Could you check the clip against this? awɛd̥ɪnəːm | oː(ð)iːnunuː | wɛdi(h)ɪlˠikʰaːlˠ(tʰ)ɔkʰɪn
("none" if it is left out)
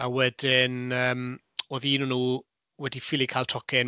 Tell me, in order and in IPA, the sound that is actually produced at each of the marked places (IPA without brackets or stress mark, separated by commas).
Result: ð, f, tʰ